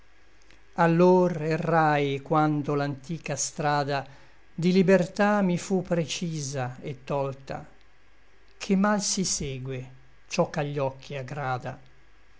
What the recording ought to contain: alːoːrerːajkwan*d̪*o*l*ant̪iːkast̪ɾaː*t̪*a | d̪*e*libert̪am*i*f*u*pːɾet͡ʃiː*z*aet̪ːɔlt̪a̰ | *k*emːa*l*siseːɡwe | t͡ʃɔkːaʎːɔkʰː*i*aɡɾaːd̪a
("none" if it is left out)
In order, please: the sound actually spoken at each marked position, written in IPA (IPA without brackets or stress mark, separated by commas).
d̪, l, d̪, i, i, u, z, kʰ, l, i